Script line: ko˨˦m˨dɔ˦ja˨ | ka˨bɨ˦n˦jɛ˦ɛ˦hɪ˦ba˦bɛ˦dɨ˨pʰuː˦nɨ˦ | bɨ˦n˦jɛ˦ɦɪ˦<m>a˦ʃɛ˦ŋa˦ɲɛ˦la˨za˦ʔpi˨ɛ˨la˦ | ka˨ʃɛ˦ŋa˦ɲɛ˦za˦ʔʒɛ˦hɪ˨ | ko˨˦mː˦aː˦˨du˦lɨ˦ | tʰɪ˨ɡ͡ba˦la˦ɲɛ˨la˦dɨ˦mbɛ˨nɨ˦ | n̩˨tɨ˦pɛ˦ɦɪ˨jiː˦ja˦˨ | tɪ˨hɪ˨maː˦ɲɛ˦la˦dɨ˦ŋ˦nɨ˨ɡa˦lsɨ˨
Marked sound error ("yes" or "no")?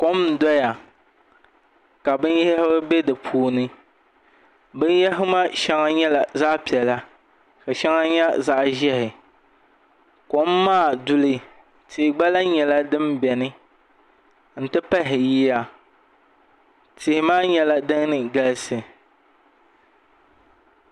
no